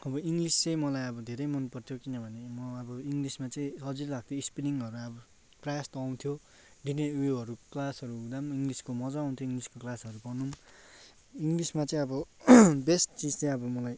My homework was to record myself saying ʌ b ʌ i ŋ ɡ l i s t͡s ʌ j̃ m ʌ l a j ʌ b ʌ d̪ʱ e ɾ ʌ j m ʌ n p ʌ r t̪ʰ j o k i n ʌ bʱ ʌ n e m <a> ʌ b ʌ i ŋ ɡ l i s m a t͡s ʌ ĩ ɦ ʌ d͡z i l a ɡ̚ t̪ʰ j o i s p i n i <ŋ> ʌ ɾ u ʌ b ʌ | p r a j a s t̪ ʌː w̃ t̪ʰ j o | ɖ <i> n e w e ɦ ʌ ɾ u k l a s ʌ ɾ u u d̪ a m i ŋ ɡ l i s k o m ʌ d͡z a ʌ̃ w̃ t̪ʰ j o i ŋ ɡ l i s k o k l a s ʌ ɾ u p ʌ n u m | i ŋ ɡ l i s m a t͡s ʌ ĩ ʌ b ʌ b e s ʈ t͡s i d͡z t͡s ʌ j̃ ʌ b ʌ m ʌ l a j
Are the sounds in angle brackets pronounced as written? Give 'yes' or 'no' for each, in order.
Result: no, yes, yes

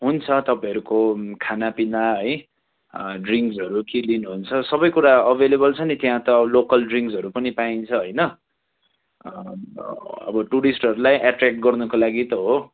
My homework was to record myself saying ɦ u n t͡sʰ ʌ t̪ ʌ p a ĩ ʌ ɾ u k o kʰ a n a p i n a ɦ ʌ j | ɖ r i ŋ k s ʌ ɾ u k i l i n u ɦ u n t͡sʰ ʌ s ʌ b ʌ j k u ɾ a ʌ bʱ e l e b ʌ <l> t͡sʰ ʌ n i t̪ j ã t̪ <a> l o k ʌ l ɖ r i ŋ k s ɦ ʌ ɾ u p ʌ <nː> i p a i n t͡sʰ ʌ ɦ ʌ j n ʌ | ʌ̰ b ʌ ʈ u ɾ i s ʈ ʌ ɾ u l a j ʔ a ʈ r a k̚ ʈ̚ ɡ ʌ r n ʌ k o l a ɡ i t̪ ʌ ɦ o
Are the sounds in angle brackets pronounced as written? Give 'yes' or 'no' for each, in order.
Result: yes, no, no

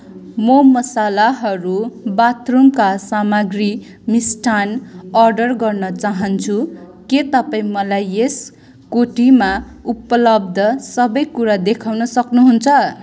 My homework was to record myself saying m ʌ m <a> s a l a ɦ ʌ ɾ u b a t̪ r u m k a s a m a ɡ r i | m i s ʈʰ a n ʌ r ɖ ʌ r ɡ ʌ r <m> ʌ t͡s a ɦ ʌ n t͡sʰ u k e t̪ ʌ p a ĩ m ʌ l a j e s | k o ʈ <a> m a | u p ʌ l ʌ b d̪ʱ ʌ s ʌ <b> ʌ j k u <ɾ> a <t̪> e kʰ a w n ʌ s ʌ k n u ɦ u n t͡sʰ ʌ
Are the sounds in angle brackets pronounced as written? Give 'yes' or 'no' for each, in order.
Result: no, no, no, yes, yes, no

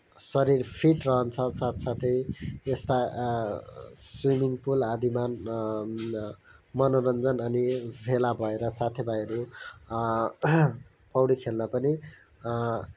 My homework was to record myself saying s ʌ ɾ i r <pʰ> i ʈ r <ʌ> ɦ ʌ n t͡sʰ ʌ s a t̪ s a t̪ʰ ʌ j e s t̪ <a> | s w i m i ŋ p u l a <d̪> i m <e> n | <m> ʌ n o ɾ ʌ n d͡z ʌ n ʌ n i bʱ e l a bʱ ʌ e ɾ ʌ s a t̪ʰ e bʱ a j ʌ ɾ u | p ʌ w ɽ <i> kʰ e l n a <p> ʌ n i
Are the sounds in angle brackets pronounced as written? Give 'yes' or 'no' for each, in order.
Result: yes, yes, yes, yes, no, yes, yes, yes

